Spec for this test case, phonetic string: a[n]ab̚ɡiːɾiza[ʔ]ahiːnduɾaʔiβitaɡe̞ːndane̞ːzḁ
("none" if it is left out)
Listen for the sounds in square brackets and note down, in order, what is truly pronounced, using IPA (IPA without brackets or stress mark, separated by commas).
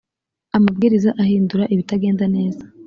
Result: m, ʔ